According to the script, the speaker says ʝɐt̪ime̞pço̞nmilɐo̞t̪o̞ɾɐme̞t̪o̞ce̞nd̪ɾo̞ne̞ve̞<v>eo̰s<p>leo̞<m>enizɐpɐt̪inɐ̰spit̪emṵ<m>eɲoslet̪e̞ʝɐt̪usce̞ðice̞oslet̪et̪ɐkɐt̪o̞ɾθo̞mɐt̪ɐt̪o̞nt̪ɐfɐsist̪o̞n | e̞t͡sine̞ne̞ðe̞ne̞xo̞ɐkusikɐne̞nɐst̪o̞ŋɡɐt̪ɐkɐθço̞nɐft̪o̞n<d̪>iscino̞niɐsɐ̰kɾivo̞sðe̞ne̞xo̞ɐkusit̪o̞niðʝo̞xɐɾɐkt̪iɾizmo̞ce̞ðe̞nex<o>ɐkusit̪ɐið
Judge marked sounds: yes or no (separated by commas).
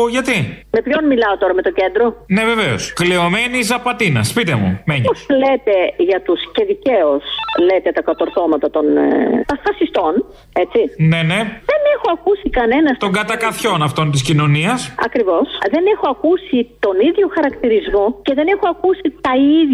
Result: yes, no, yes, yes, no, yes